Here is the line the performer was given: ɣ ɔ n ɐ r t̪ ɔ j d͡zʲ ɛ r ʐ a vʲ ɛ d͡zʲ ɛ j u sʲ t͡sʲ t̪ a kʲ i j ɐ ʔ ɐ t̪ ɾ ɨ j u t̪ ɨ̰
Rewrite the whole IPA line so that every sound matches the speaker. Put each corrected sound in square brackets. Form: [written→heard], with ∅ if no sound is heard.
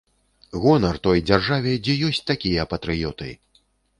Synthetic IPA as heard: ɣ ɔ n ɐ r t̪ ɔ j d͡zʲ [ɛ→a] r ʐ a vʲ ɛ d͡zʲ ɛ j [u→ɔ] sʲ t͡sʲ t̪ a kʲ i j ɐ [ʔ→p] ɐ t̪ ɾ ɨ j [u→ɔ] t̪ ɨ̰